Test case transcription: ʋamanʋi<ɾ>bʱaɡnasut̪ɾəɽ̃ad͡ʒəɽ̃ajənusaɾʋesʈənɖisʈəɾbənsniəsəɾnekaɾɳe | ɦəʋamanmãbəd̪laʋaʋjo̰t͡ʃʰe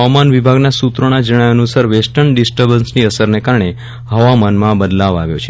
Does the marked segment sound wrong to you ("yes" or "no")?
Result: yes